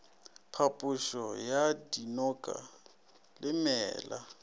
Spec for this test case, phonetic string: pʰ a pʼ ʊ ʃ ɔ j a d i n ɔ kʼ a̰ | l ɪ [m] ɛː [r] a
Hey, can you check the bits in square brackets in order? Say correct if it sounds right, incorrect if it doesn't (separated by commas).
correct, incorrect